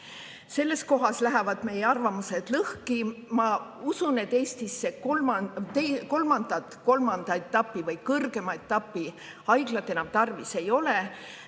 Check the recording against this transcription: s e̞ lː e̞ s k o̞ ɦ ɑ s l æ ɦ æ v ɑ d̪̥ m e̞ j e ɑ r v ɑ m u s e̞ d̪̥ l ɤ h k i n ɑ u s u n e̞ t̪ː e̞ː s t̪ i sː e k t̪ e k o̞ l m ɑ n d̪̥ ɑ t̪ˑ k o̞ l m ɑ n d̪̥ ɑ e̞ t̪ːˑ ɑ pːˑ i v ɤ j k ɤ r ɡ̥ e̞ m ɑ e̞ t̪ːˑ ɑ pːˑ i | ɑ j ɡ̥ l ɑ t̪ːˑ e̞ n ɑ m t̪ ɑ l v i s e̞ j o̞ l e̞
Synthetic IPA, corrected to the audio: s e̞ lː e̞ s k o̞ ɦ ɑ s l æ ɦ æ v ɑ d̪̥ m e̞ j e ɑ r v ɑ m u s e̞ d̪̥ l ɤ h k i m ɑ u s u n e̞ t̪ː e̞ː s t̪ i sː e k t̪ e k o̞ l m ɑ n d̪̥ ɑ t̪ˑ k o̞ l m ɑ n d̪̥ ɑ e̞ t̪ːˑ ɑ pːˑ i v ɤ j k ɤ r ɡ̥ e̞ m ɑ e̞ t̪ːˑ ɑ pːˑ i | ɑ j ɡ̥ l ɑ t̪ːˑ e̞ n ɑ m t̪ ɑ r v i s e̞ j o̞ l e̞